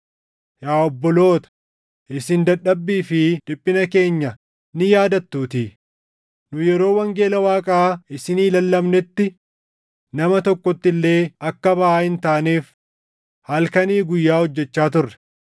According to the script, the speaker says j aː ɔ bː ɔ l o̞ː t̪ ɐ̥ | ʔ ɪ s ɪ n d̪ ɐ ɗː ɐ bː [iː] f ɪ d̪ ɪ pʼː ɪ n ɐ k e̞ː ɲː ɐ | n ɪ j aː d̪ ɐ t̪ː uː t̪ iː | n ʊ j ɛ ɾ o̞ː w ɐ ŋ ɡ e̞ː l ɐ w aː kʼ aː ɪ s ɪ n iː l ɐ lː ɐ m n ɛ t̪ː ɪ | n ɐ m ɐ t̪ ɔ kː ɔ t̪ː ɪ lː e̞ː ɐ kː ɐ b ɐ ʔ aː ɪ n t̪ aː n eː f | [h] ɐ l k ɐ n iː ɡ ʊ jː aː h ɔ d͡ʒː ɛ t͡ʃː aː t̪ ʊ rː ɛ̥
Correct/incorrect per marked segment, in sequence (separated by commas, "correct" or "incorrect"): correct, correct